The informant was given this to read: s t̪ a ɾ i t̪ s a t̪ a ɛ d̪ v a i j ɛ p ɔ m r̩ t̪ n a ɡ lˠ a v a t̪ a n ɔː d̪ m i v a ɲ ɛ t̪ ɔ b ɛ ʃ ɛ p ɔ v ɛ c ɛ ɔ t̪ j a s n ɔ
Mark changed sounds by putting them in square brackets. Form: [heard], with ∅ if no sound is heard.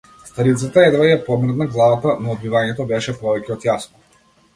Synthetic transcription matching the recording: s t̪ a ɾ i t̪ s a t̪ a ɛ d̪ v a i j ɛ p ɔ m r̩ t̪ n a ɡ lˠ a v a t̪ a n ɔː d̪ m i v a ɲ ɛ t̪ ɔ b ɛ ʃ ɛ p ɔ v ɛ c ɛ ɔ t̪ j a s n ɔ

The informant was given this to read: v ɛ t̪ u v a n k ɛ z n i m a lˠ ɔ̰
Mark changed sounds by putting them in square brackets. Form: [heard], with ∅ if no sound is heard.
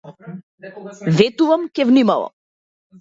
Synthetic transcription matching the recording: v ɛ t̪ u v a [m] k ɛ [v] n i m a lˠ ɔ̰

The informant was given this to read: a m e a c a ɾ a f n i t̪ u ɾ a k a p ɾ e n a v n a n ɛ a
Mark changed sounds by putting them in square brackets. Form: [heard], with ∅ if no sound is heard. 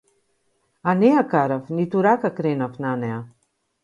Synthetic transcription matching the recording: a [n] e a [k] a ɾ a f n i t̪ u ɾ a k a [k] ɾ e n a [f] n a n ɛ a

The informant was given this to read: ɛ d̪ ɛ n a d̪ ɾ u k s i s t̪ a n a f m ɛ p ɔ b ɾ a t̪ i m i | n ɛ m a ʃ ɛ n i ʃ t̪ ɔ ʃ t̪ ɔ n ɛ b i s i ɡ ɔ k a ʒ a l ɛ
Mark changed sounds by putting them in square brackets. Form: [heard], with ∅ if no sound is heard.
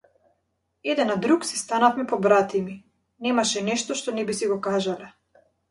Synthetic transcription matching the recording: ɛ d̪ ɛ n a d̪ ɾ u k s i s t̪ a n a f m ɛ p ɔ b ɾ a t̪ i m i | n ɛ m a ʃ ɛ n [ɛ] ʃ t̪ ɔ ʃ t̪ ɔ n ɛ b i s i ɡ ɔ k a ʒ a l ɛ

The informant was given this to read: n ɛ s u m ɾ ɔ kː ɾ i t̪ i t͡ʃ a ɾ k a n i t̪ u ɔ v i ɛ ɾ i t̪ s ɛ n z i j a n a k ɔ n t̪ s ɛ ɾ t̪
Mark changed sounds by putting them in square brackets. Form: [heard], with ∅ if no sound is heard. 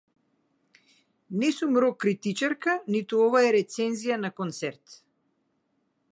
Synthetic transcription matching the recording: n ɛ s u m ɾ ɔ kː ɾ i t̪ i t͡ʃ a ɾ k a n i t̪ u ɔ v [a] ɛ ɾ [ɛ] t̪ s ɛ n z i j a n a k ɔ n t̪ s ɛ ɾ t̪

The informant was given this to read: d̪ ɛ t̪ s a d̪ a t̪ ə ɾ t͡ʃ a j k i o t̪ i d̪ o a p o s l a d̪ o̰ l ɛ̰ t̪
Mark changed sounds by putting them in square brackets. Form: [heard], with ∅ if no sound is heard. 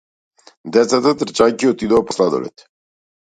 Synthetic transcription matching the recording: d̪ ɛ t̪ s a [t̪] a t̪ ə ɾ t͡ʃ a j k i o t̪ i d̪ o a p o s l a d̪ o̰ l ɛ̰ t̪

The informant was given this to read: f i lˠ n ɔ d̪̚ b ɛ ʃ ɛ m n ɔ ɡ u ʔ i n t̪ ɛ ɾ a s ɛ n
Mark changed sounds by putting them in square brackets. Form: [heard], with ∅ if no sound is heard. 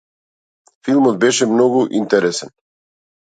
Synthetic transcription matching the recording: f i lˠ [m] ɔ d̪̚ b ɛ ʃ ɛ m n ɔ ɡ u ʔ i n t̪ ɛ ɾ [ɛ] s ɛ n

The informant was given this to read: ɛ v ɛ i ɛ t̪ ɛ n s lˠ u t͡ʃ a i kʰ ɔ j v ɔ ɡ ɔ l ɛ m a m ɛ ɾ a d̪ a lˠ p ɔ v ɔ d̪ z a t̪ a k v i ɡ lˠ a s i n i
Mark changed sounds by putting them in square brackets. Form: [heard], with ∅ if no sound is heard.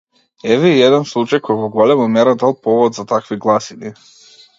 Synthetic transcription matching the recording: ɛ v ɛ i ɛ [d̪] ɛ n s lˠ u t͡ʃ a [j] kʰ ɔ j v ɔ ɡ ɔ l ɛ m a m ɛ ɾ a d̪ a lˠ p ɔ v ɔ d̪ z a t̪ a k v i ɡ lˠ a s i n i

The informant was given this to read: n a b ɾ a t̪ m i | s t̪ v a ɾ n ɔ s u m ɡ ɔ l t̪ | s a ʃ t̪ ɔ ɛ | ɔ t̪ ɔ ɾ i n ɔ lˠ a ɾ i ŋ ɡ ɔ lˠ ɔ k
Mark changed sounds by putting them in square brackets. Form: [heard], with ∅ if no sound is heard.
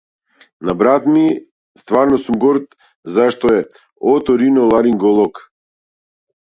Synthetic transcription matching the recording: n a b ɾ a t̪ m i | s t̪ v a ɾ n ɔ s u m ɡ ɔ [ɾ] t̪ | [z] a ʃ t̪ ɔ ɛ | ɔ t̪ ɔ ɾ i n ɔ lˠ a ɾ i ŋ ɡ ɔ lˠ ɔ k

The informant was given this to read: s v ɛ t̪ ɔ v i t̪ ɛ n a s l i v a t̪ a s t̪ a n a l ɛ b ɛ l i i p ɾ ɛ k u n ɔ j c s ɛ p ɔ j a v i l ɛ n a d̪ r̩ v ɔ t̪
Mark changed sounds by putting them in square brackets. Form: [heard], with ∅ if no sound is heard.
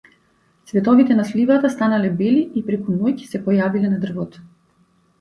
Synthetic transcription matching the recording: s v ɛ t̪ ɔ v i t̪ ɛ n a s l i v a t̪ a s t̪ a n a l ɛ b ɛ l i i p ɾ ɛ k u n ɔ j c s ɛ p ɔ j a v i l ɛ n a d̪ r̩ v ɔ t̪

